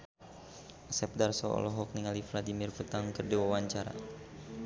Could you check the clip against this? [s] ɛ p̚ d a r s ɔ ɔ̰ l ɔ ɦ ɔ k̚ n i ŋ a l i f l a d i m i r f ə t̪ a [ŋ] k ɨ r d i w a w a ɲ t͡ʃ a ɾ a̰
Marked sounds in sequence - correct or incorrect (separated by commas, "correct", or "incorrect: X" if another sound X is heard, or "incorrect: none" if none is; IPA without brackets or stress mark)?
correct, correct